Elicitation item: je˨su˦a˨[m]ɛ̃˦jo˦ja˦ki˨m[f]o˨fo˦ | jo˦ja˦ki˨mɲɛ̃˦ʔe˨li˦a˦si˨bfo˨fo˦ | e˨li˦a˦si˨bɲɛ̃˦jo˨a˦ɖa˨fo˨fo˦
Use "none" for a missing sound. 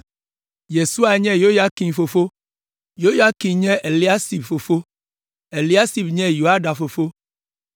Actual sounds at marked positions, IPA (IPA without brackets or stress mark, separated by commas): ɲ, f